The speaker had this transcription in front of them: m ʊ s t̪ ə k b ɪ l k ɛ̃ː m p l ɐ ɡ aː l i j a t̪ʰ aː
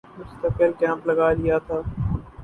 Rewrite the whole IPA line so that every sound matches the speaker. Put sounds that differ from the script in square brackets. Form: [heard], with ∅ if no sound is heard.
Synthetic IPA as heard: m ʊ s t̪ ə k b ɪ l k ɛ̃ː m p l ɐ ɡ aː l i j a t̪ʰ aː